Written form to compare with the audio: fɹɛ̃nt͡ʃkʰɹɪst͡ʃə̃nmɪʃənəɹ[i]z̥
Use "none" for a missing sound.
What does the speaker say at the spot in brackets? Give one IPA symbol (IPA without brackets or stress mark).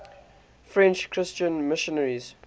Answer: i